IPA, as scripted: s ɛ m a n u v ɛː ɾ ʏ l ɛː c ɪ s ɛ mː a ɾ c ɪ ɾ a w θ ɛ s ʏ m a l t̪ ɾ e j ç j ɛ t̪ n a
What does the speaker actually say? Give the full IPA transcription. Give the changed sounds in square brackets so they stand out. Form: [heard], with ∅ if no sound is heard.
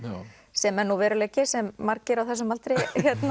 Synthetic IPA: s ɛ m [ɛ] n u v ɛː ɾ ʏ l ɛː c ɪ s ɛ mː a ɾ c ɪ ɾ a w θ ɛ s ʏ m a l t̪ ɾ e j ç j ɛ t̪ n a